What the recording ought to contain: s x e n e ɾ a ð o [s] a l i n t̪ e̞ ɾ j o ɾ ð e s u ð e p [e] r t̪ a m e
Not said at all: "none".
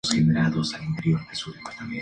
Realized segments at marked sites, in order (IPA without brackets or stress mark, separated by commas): s, a